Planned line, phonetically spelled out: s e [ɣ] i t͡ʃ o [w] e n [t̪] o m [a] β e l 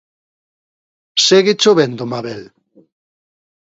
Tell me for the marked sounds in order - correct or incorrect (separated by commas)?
correct, incorrect, incorrect, correct